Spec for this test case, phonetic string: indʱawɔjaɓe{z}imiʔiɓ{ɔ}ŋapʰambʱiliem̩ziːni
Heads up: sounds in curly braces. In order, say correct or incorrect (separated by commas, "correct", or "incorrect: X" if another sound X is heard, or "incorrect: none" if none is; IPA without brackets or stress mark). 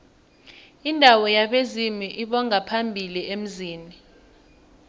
correct, correct